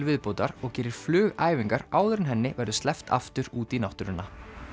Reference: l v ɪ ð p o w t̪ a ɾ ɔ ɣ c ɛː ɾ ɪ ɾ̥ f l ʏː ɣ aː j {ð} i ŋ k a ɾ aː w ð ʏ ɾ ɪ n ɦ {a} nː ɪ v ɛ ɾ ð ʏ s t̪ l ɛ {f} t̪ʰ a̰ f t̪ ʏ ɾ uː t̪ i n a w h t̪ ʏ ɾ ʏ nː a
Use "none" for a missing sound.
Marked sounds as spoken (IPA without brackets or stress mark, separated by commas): v, ɛ, f